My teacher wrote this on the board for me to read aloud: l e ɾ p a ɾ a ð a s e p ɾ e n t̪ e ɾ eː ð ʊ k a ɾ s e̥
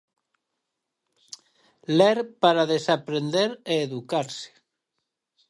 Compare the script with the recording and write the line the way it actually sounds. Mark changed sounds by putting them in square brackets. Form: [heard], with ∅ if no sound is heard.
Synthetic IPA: l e ɾ p a ɾ a ð [e] s [a] p ɾ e n [d̪] e ɾ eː ð [u] k a ɾ s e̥